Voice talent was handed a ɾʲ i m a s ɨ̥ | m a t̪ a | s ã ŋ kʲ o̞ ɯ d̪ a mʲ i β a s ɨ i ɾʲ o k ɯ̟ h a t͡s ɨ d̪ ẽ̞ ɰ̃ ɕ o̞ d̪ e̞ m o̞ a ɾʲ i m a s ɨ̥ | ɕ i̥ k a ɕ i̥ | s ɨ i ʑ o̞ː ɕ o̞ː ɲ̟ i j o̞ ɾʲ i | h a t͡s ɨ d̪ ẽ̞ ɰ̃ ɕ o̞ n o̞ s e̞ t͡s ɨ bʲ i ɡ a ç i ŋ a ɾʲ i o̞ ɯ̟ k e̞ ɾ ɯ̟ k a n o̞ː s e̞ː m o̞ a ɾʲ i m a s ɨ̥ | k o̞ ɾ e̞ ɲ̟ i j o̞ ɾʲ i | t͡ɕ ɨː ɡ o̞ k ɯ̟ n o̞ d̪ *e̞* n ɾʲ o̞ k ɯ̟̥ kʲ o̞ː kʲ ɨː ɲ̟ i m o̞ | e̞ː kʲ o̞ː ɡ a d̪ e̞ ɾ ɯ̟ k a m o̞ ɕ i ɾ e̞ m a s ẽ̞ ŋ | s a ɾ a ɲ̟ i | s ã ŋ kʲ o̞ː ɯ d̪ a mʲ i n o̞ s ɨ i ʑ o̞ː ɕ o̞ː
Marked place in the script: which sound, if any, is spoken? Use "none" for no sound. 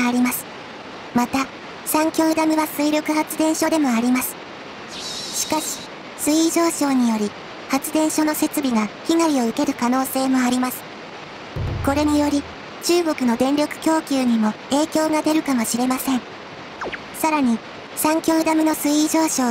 ẽ̞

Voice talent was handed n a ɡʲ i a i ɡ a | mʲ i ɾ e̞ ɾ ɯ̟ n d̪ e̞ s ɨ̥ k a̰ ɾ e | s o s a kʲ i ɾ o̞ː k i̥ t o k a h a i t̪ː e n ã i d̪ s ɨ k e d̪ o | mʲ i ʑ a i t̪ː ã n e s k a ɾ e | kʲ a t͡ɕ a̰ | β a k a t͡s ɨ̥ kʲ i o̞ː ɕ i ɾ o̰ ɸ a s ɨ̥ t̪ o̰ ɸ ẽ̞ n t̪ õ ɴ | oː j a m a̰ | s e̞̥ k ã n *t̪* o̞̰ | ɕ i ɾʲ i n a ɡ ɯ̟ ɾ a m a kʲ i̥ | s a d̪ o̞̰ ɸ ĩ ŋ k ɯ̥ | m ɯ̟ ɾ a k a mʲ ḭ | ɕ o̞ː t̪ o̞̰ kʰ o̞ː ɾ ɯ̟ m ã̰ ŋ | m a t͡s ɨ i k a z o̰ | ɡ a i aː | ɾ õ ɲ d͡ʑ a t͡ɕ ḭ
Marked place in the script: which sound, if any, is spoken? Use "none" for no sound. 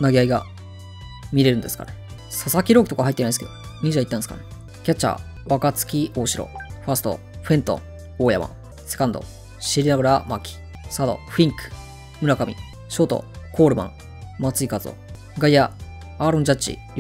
d̪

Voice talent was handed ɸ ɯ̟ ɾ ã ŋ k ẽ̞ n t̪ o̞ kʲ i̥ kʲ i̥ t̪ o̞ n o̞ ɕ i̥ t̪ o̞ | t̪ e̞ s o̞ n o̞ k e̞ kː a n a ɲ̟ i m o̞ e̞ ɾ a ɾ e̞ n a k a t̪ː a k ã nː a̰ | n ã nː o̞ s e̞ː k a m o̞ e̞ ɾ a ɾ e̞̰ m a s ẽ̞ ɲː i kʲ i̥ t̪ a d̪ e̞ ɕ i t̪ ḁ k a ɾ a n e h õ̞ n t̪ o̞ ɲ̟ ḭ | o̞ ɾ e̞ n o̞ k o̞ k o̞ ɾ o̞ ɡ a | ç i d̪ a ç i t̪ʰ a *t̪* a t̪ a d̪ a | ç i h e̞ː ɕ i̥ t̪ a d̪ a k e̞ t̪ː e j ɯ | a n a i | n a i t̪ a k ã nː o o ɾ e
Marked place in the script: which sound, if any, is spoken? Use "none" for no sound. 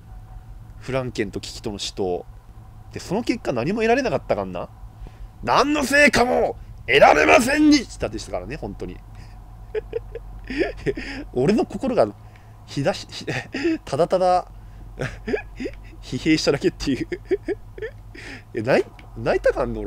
d̪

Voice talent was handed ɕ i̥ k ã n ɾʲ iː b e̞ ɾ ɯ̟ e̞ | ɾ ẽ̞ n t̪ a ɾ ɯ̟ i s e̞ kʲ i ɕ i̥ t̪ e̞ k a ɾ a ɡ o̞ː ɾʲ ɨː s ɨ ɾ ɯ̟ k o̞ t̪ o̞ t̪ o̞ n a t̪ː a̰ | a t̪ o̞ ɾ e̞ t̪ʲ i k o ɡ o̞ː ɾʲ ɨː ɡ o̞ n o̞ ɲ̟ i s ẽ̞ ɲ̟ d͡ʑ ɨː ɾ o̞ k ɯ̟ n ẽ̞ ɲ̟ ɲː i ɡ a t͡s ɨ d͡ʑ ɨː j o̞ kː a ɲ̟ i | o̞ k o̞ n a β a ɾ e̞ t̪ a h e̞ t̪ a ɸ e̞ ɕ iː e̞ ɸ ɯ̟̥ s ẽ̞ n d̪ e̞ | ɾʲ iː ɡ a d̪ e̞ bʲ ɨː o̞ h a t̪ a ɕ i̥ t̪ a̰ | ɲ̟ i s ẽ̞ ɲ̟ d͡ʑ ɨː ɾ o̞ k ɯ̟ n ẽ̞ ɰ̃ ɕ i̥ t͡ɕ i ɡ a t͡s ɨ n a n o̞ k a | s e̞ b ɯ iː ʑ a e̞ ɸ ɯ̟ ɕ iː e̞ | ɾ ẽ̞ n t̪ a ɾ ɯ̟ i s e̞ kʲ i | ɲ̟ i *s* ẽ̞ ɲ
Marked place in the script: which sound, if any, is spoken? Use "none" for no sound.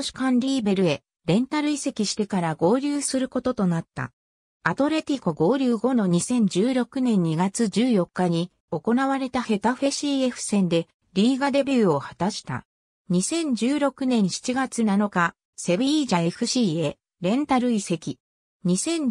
s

